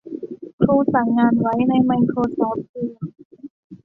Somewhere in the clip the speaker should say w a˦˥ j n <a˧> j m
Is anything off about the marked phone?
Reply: no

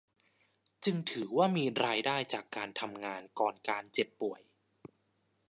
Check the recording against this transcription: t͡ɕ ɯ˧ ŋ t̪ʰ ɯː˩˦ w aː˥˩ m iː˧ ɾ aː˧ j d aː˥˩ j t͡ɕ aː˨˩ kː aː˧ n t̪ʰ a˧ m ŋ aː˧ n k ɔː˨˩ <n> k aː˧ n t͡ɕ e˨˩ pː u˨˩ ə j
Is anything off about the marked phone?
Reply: no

